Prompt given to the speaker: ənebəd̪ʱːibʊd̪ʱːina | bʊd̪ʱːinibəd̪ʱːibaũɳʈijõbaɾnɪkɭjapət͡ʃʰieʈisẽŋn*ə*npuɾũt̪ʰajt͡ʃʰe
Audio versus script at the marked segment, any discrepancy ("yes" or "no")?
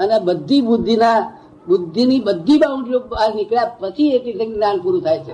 yes